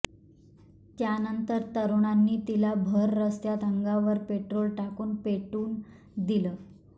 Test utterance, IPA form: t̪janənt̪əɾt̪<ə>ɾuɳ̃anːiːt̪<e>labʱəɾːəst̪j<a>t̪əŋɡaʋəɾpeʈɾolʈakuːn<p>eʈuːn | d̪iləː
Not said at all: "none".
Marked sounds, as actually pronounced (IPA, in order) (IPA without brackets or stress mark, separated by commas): ə, i, a, p